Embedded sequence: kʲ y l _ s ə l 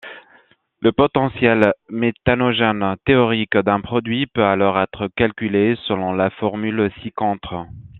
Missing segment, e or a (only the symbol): e